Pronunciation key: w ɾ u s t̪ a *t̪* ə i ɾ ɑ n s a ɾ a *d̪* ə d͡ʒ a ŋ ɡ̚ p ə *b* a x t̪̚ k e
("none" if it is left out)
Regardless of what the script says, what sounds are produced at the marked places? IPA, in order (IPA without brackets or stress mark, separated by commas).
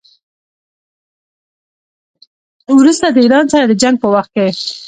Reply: d̪, d̪, w